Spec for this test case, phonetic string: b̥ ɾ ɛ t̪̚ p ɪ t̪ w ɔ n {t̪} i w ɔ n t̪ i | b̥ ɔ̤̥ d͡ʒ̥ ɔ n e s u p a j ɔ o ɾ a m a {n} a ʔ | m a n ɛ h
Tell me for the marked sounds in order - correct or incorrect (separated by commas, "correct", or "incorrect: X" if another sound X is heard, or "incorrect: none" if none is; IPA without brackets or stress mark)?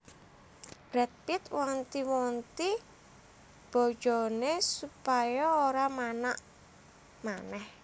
correct, correct